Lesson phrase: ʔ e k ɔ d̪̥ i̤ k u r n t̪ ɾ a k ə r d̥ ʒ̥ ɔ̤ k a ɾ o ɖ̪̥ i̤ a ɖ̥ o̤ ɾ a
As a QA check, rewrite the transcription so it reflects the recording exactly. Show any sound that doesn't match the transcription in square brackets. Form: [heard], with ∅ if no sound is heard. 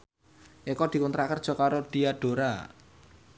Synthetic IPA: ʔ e k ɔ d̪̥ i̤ k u [∅] n t̪ ɾ a k ə r d̥ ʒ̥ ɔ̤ k a ɾ o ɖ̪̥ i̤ a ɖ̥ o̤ ɾ a